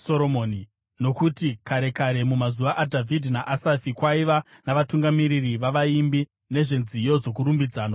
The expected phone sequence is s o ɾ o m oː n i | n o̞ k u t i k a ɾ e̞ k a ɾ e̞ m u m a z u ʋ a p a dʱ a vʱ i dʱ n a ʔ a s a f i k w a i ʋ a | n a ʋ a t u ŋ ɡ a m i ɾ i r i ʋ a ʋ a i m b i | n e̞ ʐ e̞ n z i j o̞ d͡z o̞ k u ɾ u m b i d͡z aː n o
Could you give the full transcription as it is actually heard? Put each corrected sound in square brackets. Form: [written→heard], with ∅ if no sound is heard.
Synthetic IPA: s o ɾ o m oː n i | n o̞ k u t i k a ɾ e̞ k a ɾ e̞ m u m a z u ʋ a [p→ʔ] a dʱ a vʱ i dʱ n a ʔ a s a f i k w a i ʋ a | n a ʋ a t u ŋ ɡ a m i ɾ i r i ʋ a ʋ a i m b i | n e̞ ʐ e̞ n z i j o̞ d͡z o̞ k u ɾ u m b i d͡z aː n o